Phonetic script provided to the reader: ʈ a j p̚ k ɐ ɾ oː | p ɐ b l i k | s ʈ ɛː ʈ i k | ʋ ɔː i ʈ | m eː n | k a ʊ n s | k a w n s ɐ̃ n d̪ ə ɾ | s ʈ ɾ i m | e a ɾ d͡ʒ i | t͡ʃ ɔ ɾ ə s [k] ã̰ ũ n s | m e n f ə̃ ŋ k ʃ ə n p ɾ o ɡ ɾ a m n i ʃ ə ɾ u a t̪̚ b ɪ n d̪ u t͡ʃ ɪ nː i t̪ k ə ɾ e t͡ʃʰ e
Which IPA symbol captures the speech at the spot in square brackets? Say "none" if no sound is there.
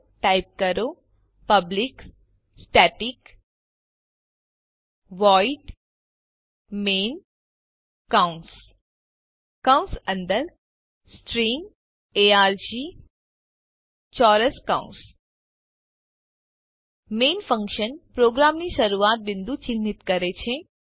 k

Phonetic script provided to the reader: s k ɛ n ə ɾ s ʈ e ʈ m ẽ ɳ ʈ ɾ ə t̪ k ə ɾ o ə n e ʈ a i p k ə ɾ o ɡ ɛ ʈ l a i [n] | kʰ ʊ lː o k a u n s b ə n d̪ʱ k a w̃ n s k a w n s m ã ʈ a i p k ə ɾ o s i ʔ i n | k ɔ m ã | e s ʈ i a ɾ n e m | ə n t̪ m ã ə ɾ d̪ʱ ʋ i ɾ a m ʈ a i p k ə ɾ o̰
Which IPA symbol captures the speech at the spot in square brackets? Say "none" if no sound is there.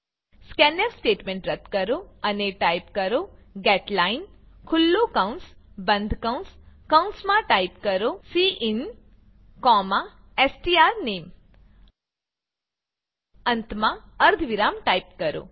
n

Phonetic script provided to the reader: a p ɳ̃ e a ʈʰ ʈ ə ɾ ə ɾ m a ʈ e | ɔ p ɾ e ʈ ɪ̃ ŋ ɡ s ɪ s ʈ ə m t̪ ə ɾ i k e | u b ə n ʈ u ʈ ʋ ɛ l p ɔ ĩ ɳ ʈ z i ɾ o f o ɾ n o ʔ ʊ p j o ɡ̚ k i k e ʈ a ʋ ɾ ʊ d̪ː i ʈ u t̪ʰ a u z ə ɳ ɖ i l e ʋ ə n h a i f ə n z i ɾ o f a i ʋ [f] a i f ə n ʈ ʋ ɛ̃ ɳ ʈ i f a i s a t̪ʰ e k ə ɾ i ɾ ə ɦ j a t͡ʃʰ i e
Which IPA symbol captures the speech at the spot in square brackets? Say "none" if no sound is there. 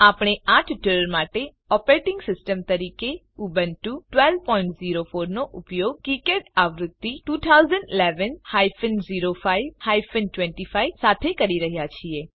h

